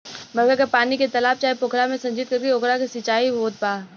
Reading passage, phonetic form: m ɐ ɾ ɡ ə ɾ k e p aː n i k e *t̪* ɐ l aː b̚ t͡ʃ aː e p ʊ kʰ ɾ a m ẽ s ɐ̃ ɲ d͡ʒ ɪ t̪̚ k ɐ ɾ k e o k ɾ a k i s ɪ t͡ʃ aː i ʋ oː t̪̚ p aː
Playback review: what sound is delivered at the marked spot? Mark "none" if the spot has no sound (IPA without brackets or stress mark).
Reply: t̪